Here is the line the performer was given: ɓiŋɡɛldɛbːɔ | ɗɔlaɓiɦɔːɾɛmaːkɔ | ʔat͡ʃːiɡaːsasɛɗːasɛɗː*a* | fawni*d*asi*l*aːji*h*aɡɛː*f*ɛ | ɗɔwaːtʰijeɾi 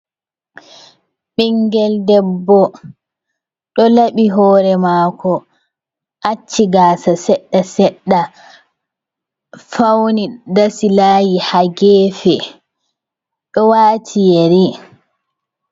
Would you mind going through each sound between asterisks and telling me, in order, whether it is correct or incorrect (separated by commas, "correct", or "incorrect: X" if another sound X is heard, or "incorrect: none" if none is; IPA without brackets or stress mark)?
correct, correct, correct, correct, correct